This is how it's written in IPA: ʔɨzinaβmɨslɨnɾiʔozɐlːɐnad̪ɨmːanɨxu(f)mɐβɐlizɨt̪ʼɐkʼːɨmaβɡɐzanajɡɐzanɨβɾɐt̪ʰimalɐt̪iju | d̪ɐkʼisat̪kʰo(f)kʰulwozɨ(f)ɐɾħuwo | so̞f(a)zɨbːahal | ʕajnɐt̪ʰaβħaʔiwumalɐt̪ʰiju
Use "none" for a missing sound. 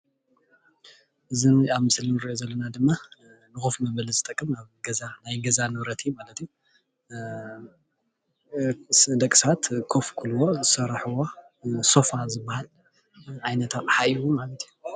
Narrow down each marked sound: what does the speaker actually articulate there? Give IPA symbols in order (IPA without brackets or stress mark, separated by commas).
f, f, s, a